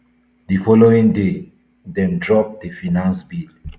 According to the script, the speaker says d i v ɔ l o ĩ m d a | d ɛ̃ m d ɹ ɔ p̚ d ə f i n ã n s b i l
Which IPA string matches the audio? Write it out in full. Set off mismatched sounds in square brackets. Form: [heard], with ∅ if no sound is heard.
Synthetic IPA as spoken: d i [f] ɔ l o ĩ [ŋ] d [e] | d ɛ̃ m d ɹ ɔ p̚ d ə f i n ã n s b i l